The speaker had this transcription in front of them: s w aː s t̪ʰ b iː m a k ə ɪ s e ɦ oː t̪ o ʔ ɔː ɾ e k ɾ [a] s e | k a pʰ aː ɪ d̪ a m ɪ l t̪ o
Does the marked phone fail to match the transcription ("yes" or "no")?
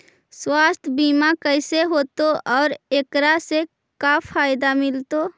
no